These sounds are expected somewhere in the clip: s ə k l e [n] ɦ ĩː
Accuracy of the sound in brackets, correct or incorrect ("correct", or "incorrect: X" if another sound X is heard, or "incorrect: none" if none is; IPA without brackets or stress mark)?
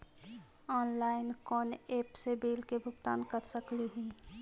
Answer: incorrect: none